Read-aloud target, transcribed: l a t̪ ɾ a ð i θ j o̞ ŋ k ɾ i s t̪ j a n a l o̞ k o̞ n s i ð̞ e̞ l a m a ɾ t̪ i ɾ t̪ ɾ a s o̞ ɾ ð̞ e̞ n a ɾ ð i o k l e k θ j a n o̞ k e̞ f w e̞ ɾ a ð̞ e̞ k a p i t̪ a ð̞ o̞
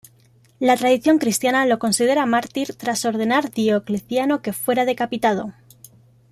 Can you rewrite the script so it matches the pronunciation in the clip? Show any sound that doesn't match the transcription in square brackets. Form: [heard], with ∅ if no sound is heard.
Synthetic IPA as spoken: l a t̪ ɾ a ð i θ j o̞ ŋ k ɾ i s t̪ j a n a l o̞ k o̞ n s i ð̞ e̞ [ɾ] a m a ɾ t̪ i ɾ t̪ ɾ a s o̞ ɾ ð̞ e̞ n a ɾ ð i o k l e [∅] θ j a n o̞ k e̞ f w e̞ ɾ a ð̞ e̞ k a p i t̪ a ð̞ o̞